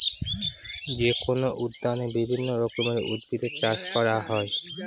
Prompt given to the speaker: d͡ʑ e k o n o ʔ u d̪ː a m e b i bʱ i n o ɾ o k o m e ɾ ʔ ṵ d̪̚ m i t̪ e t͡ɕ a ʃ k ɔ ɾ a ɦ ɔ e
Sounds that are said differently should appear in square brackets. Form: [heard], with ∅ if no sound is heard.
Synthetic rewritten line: d͡ʑ e k o n o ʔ u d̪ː a [n] e b i bʱ i [nː] o ɾ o k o m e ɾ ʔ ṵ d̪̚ [b] i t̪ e t͡ɕ a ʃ k ɔ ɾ a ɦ ɔ e